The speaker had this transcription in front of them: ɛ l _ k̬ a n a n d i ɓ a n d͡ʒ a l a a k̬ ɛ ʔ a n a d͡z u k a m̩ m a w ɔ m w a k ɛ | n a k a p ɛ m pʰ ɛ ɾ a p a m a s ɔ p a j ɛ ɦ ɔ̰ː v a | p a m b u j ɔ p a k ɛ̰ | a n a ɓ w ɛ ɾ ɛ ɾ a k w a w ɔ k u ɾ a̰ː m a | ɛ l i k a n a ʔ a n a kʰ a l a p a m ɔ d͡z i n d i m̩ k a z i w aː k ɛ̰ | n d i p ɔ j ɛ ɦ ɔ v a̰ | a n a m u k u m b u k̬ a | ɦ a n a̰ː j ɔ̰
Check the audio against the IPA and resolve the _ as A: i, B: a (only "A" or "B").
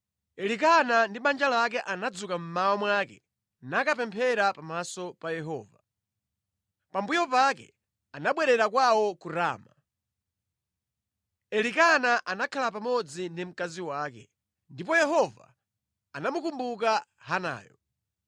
A